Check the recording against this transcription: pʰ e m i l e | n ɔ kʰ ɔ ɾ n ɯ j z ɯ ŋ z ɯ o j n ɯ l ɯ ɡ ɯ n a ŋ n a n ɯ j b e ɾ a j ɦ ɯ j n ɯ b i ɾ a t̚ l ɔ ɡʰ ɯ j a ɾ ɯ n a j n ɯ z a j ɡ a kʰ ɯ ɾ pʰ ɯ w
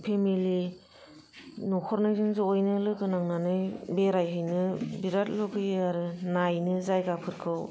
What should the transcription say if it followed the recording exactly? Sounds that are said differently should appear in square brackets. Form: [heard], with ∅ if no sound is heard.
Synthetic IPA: pʰ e m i l [i] | n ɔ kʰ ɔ ɾ n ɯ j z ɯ ŋ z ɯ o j n ɯ l ɯ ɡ ɯ n a ŋ n a n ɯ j b e ɾ a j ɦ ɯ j n ɯ b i ɾ a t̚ l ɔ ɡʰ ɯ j a ɾ ɯ n a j n ɯ z a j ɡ a [pʰ] ɯ ɾ [kʰ] ɯ w